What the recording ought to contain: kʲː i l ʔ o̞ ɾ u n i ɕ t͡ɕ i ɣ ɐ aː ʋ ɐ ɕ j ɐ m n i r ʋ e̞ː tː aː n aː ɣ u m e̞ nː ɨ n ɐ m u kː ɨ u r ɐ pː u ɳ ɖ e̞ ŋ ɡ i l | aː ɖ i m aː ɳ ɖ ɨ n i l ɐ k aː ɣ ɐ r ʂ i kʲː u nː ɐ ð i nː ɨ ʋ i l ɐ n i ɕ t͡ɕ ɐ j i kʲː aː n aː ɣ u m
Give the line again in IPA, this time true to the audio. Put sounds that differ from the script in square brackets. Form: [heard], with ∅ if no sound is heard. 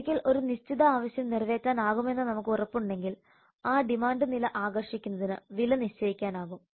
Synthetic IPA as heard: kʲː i l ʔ o̞ ɾ u n i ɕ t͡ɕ i [ð] ɐ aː ʋ ɐ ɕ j ɐ m n i r ʋ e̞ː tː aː n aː ɣ u m e̞ nː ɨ n ɐ m u kː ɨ u r ɐ pː u ɳ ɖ e̞ ŋ ɡ i l | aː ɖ i m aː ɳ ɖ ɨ n i l ɐ [ʔ] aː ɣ ɐ r ʂ i kʲː u nː ɐ ð i [n] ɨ ʋ i l ɐ n i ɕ t͡ɕ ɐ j i kʲː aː n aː ɣ u m